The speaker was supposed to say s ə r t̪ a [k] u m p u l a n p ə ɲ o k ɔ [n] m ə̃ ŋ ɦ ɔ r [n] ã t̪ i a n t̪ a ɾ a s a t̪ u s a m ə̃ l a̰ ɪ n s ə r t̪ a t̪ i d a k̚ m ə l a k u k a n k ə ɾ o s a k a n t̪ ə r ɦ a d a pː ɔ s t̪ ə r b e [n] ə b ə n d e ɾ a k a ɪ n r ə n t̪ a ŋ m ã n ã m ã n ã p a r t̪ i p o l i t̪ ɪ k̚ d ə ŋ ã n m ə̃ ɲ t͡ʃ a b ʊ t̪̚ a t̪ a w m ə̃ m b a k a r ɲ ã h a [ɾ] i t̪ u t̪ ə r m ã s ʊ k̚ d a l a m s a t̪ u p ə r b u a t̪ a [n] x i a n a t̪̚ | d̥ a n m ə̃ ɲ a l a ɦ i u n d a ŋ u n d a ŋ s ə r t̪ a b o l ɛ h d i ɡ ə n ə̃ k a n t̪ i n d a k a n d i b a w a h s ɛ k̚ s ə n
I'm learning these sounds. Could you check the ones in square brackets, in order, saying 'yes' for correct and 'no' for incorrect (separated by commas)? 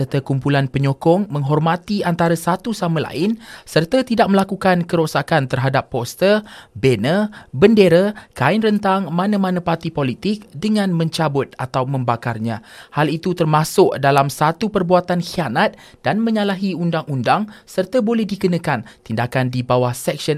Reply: yes, no, no, yes, no, yes